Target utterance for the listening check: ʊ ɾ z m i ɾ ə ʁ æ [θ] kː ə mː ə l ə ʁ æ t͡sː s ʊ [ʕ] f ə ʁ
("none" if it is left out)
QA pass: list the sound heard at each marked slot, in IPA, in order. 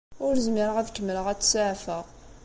ð, ʕ

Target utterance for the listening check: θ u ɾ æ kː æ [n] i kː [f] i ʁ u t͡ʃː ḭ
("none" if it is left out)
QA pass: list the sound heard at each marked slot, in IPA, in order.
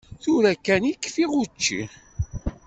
n, f

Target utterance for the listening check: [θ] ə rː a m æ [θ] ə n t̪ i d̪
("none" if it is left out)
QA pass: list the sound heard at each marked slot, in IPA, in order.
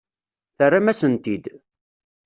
θ, s

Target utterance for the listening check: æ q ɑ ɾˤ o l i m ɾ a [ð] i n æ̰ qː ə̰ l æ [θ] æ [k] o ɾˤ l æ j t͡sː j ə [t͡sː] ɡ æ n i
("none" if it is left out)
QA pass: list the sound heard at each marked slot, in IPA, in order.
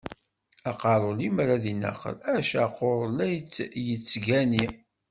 ð, ʃ, q, t͡sː

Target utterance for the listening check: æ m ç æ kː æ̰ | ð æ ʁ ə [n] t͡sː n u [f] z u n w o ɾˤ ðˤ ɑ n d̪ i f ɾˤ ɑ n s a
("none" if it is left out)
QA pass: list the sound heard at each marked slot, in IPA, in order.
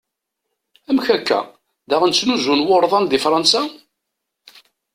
n, none

